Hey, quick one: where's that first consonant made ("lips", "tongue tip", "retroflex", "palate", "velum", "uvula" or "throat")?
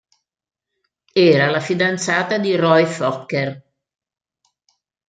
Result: tongue tip